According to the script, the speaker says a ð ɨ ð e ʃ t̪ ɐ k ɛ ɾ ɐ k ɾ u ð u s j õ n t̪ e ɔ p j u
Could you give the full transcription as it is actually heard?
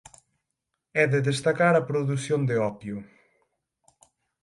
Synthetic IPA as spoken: ɛ ð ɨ ð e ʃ t̪ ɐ k a ɾ ɐ p ɾ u ð u s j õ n d̪ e ɔ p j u